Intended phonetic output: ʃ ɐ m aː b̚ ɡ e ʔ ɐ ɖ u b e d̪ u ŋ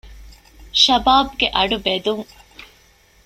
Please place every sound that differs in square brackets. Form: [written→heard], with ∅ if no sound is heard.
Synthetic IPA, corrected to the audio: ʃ ɐ [m→b] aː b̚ ɡ e ʔ ɐ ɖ u b e d̪ u ŋ